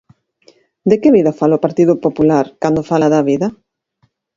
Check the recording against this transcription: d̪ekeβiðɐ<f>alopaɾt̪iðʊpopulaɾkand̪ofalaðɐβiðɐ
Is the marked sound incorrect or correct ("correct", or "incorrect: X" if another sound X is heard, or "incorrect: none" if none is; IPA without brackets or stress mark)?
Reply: correct